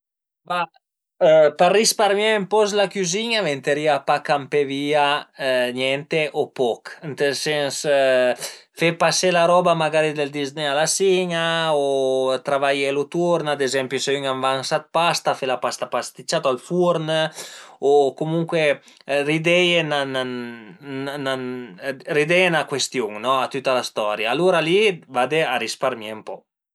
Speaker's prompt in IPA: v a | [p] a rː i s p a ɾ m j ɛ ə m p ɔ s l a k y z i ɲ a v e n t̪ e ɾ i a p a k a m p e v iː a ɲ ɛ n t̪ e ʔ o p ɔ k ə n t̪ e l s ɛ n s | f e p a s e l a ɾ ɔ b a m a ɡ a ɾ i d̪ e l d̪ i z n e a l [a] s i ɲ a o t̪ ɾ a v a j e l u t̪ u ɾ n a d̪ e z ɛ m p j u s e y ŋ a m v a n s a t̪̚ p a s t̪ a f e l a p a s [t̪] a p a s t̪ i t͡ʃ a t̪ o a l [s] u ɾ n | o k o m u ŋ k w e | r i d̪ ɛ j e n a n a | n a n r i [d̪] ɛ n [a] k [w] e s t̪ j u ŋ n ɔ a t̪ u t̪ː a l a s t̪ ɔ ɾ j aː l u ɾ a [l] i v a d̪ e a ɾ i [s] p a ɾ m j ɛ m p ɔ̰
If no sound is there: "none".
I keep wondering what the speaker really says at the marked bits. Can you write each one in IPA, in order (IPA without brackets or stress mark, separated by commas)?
p, a, t̪, f, d̪, a, w, l, s